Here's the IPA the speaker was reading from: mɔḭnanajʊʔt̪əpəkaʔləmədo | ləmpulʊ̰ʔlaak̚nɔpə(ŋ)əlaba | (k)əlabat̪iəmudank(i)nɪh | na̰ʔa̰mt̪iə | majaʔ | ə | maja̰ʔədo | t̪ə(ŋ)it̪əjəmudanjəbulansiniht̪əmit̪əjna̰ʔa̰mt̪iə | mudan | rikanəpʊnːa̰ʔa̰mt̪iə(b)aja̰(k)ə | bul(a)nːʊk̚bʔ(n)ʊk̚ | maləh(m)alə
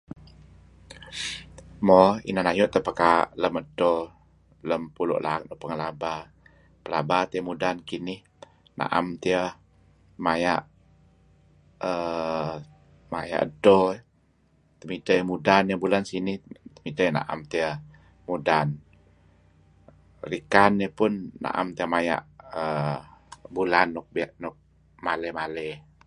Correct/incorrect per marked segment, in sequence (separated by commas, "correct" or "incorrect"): correct, incorrect, correct, incorrect, incorrect, incorrect, correct, correct, correct